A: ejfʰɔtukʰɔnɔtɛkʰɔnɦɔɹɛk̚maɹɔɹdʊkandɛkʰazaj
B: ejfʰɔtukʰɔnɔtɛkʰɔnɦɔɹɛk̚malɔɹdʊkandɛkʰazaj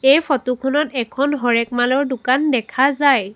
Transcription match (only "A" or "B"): B